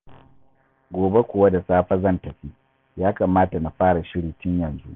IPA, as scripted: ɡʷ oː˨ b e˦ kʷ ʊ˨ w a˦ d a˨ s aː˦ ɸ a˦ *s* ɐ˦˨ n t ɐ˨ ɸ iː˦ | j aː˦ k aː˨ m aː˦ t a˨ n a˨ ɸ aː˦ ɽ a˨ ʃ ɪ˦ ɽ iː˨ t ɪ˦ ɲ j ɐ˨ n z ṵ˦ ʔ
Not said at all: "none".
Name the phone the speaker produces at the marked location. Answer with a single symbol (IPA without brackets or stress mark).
z